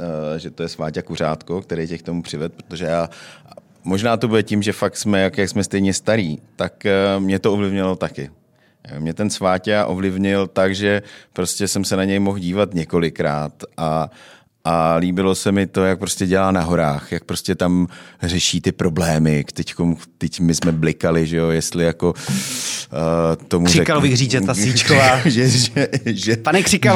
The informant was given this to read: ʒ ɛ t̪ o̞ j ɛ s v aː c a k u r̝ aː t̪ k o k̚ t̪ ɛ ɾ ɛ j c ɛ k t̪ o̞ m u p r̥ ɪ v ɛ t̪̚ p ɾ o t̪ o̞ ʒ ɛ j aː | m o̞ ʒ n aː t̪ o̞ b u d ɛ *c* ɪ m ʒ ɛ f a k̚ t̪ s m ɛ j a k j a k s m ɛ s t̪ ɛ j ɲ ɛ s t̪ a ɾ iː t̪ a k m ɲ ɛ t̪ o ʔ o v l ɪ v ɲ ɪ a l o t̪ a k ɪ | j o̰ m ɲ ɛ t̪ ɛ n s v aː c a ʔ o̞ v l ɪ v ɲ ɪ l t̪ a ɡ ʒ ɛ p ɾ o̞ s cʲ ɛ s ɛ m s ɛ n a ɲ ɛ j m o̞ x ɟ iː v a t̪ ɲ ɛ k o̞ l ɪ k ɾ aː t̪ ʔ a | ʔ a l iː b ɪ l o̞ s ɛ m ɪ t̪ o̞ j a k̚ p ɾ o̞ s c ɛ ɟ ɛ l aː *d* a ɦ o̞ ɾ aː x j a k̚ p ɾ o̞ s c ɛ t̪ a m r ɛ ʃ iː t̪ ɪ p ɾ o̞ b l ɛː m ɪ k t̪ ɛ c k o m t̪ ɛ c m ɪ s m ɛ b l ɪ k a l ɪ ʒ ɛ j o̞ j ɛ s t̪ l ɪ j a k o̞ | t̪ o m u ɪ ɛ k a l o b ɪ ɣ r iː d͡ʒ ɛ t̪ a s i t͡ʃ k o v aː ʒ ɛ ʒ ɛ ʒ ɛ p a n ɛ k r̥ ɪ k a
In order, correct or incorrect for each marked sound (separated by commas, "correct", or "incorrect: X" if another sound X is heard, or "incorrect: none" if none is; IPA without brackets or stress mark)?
correct, incorrect: n